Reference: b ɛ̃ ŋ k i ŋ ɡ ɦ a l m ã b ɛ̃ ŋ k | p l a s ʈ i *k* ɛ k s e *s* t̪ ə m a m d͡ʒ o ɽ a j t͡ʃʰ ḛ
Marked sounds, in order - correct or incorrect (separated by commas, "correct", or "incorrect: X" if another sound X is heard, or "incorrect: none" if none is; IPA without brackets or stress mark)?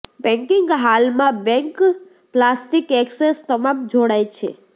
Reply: correct, correct